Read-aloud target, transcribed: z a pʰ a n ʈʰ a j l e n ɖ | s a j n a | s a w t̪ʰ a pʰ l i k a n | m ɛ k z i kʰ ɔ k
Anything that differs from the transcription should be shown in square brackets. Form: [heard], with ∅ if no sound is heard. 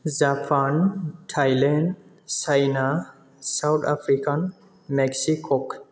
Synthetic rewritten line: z a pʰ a n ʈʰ a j l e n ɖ | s a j n a | s a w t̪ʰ a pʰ [ɾ] i k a n | m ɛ k [s] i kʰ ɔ k